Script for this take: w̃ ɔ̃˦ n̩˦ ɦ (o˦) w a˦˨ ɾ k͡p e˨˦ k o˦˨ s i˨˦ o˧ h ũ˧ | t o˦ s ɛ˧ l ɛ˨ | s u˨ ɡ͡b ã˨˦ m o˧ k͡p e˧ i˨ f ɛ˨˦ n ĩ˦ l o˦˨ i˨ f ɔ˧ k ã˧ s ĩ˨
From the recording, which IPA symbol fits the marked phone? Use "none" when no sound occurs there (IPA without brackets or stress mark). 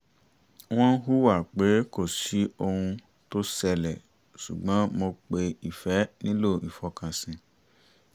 u˦